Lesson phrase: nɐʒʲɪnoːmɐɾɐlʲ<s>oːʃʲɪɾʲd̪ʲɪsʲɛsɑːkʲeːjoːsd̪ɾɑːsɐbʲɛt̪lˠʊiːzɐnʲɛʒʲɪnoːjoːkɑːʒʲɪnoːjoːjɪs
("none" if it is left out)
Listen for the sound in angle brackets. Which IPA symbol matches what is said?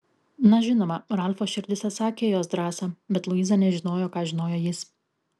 f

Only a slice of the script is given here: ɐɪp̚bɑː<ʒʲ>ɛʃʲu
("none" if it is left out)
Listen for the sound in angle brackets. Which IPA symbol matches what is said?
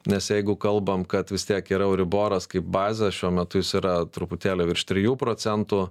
zʲ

